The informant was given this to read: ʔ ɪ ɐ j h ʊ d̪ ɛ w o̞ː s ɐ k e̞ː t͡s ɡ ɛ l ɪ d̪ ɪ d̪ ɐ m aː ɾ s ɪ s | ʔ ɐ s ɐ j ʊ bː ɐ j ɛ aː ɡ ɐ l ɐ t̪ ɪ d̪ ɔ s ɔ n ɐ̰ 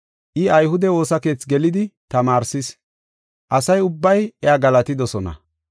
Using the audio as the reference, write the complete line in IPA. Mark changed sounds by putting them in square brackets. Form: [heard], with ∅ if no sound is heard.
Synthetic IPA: ʔ ɪ ɐ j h ʊ d̪ ɛ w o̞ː s ɐ k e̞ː t͡s ɡ ɛ l ɪ d̪ ɪ [t̪] ɐ m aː ɾ s ɪ s | ʔ ɐ s ɐ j ʊ bː ɐ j ɛ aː ɡ ɐ l ɐ t̪ ɪ d̪ ɔ s ɔ n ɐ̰